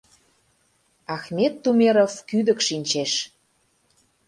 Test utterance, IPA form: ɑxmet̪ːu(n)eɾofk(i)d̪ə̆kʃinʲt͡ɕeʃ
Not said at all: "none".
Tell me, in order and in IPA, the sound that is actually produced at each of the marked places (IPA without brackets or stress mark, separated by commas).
m, y